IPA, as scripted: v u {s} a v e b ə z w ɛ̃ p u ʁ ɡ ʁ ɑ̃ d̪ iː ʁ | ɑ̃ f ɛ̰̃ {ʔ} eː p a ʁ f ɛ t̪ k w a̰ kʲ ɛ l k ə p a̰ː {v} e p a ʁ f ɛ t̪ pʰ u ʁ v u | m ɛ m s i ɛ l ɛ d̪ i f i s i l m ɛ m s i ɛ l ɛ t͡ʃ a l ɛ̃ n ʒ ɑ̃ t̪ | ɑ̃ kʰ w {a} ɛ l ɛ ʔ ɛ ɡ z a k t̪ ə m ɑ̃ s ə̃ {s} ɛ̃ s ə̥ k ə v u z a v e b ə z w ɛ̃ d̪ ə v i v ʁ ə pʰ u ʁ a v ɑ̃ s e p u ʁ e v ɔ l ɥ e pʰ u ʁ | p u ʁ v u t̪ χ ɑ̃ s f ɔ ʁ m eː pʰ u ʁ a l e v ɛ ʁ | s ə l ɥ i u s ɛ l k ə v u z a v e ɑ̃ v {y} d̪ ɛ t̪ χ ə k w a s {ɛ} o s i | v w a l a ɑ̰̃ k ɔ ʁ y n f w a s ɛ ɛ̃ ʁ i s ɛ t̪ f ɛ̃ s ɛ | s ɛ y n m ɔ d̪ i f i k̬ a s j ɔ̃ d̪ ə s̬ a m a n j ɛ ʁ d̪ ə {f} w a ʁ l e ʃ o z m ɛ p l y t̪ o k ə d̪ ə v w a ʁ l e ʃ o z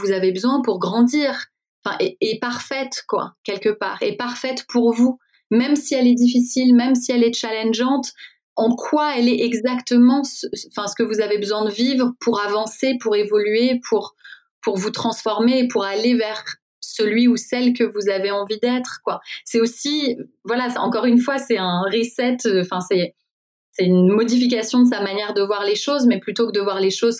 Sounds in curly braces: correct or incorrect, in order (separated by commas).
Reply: incorrect, correct, incorrect, correct, incorrect, incorrect, correct, incorrect